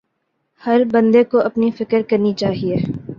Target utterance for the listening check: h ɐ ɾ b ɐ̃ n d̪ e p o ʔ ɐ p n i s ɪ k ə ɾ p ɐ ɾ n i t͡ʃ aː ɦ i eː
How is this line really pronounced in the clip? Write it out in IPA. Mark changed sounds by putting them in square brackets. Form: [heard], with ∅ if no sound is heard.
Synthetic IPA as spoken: h ɐ ɾ b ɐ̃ n d̪ e [k] o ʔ ɐ p n i [f] ɪ k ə ɾ [k] ɐ ɾ n i t͡ʃ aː ɦ i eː